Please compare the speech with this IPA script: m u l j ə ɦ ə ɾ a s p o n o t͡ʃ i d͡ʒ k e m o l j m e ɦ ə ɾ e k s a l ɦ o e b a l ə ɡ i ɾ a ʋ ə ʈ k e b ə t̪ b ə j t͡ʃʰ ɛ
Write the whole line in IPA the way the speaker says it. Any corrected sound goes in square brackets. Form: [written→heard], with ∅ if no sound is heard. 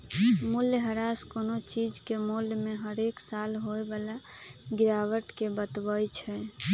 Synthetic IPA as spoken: m u l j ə ɦ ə ɾ a s [p→k] o n o t͡ʃ i d͡ʒ k e m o l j m e ɦ ə ɾ e k s a l ɦ o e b a l [ə→a] ɡ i ɾ a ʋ ə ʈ k e b ə t̪ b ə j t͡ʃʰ ɛ